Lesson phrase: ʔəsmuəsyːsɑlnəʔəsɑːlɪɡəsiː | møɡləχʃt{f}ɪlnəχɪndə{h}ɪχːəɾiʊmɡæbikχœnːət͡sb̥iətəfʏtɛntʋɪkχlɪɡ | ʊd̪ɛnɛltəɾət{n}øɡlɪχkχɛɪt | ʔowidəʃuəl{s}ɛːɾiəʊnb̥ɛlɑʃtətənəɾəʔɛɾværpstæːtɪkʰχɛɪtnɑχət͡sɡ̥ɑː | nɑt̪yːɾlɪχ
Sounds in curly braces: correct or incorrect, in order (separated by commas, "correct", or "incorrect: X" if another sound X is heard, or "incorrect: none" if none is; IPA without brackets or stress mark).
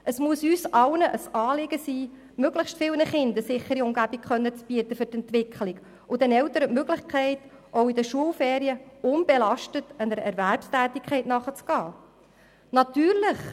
correct, incorrect: s, incorrect: m, incorrect: f